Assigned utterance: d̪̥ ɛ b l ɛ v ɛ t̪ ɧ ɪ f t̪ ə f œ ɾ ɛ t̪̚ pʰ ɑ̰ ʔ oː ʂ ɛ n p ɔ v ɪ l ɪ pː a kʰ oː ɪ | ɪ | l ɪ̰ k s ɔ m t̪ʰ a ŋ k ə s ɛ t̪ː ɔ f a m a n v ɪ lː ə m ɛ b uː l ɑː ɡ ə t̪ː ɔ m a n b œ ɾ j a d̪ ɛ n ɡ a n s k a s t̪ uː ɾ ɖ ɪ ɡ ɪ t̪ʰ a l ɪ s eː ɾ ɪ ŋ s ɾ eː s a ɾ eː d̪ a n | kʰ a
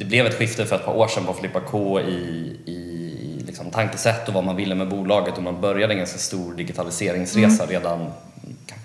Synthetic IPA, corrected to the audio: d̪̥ ɛ b l ɛ v ɛ t̪ ɧ ɪ f t̪ ə f œ ɾ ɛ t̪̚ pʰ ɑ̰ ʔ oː ʂ ɛ n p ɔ f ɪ l ɪ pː a kʰ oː ɪ | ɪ | l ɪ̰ k s ɔ m t̪ʰ a ŋ k ə s ɛ t̪ː ɔ v a m a n v ɪ lː ə m ɛ b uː l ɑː ɡ ə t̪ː ɔ m a n b œ ɾ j a d̪ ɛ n ɡ a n s k a s t̪ uː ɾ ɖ ɪ ɡ ɪ t̪ʰ a l ɪ s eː ɾ ɪ ŋ s ɾ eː s a ɾ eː d̪ a n | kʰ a